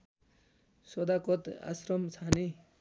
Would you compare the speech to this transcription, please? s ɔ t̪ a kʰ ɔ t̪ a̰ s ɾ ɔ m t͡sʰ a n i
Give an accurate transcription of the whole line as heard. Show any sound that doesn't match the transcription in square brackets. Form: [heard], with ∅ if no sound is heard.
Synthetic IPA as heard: s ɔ [d̪] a [k] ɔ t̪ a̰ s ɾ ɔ m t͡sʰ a n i

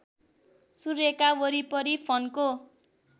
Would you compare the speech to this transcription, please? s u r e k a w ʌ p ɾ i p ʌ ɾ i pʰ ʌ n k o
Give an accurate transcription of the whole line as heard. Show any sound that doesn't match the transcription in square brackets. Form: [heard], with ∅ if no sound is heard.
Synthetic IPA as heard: s u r e k a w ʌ [∅] ɾ i p ʌ ɾ i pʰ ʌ n k o

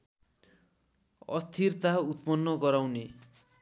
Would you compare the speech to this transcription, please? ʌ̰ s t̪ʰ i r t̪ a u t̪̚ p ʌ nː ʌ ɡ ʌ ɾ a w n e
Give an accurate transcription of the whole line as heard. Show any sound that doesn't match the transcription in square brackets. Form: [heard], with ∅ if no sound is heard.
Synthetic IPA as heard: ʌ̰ s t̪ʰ i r t̪ a u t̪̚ p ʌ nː ʌ ɡ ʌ ɾ a w n e

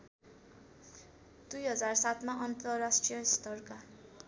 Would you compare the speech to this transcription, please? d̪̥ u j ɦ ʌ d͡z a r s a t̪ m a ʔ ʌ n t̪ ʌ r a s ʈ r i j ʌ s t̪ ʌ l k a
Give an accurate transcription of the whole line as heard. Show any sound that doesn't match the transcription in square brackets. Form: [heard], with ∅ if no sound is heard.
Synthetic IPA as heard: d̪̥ u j ɦ ʌ d͡z a r s a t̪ m a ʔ ʌ n t̪ ʌ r a s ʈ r i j ʌ s t̪ ʌ [r] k a

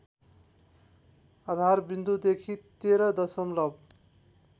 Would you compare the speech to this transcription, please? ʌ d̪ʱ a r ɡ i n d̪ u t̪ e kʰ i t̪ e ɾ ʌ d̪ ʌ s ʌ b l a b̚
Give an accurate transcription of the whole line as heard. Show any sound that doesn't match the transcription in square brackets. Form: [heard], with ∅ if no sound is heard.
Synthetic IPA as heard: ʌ d̪ʱ a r [b] i n d̪ u [d̪] e kʰ i t̪ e ɾ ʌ d̪ ʌ s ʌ [m] l [ʌ] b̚

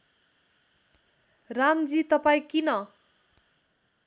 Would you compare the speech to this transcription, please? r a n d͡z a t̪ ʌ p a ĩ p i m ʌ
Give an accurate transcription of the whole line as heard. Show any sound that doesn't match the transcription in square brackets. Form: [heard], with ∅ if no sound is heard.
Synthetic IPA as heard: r a [m] d͡z [i] t̪ ʌ p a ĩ [k] i [n] ʌ

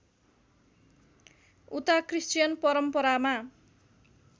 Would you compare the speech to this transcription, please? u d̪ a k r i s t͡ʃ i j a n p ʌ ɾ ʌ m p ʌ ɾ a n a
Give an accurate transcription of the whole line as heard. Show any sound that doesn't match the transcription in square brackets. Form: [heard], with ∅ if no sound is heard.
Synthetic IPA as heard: u [t̪] a k r i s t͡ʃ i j [ʌ] n p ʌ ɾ ʌ m p ʌ ɾ a [m] a

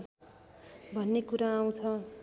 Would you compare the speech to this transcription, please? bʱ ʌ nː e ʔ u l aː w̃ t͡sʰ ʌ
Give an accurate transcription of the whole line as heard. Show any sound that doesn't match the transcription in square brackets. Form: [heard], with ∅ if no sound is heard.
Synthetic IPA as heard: bʱ ʌ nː e [k] u [ɾ] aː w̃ t͡sʰ ʌ

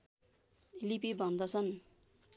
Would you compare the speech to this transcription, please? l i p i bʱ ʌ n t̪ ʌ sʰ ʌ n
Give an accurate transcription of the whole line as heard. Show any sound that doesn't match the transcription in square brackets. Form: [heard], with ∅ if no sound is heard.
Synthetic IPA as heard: l i p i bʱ ʌ n [d̪] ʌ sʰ ʌ n

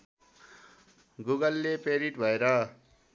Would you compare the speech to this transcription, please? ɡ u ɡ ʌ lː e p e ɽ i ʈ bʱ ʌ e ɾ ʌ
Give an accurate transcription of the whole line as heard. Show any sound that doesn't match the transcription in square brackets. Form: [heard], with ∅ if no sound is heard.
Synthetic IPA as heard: ɡ u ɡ ʌ lː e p e [ɾ] i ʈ bʱ ʌ e ɾ ʌ

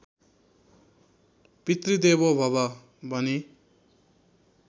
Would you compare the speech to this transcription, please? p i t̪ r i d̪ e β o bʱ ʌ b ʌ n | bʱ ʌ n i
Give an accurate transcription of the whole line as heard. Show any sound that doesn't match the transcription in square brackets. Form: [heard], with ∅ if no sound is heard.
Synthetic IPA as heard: p i t̪ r i d̪ e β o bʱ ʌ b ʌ [∅] | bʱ ʌ n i

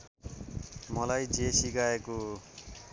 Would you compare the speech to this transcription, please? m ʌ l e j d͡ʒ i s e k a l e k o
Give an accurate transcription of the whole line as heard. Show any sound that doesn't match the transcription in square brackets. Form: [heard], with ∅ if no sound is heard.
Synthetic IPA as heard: m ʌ l [a] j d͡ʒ [e] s [i] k a [∅] e k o

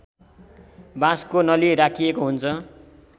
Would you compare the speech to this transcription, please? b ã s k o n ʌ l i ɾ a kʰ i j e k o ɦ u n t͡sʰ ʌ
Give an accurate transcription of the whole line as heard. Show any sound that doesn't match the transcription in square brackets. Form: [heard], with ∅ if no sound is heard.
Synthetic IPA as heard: b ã s k o n ʌ l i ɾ a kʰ i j e k o ɦ u n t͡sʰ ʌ

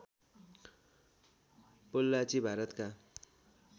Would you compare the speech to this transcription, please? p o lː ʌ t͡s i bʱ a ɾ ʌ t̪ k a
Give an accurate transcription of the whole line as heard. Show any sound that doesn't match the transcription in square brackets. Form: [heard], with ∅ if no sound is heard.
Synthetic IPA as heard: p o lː [a] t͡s i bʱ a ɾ ʌ t̪ k a

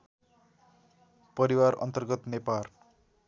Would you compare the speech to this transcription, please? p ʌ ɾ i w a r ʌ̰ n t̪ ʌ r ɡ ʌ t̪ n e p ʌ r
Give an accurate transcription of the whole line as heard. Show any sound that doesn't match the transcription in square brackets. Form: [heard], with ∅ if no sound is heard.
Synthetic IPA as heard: p ʌ ɾ i w a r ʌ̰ n t̪ ʌ r ɡ ʌ t̪ n e p [a] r

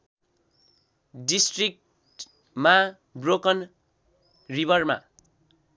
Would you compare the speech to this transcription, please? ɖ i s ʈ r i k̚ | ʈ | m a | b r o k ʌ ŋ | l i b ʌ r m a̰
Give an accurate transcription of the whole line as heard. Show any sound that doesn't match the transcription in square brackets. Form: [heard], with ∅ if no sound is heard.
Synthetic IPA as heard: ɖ i s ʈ r i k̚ | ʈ | m a | b r o k ʌ [n] | [r] i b ʌ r m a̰

